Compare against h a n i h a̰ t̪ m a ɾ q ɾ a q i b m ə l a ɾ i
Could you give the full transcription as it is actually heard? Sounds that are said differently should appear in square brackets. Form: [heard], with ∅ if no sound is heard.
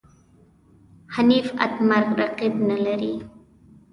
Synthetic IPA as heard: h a n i [f] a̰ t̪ m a ɾ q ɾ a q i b [n] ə l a ɾ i

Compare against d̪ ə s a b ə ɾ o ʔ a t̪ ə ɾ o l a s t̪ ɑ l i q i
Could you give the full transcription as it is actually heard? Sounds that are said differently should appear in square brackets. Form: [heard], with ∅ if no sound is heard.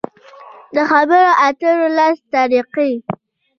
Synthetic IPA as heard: d̪ ə [x] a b ə ɾ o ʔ a t̪ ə ɾ o l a s t̪ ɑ [ɾ] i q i

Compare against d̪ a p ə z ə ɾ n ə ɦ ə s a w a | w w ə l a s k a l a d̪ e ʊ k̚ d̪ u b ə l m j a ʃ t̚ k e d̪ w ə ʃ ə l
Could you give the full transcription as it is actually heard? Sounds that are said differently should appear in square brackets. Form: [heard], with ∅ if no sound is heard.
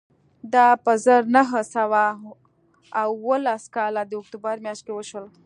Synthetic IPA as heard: d̪ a p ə z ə ɾ n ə ɦ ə s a w a | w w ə l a s k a l a d̪ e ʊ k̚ [t̪] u b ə [ɾ] m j a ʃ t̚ k e [∅] w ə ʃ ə l

